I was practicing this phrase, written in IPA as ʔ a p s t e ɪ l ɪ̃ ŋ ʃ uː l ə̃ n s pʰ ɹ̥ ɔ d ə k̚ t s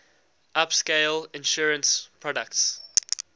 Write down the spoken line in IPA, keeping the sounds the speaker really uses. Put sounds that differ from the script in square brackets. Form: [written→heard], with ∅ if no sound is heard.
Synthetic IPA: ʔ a p s [t→k] e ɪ l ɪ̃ [ŋ→n] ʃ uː [l→ɹ] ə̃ n s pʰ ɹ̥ ɔ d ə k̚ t s